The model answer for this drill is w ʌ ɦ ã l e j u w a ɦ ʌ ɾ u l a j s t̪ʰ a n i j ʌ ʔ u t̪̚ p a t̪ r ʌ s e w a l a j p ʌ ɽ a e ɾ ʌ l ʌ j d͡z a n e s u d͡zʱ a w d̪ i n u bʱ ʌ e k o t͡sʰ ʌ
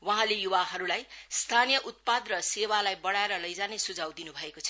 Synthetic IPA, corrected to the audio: w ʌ ɦ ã l e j u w a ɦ ʌ ɾ u l a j s t̪ʰ a n i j ʌ ʔ u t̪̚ p a d̪ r ʌ s e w a l a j b ʌ ɽ a e ɾ ʌ l ʌ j d͡z a n e s u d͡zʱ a w d̪ i n u bʱ ʌ e k o t͡sʰ ʌ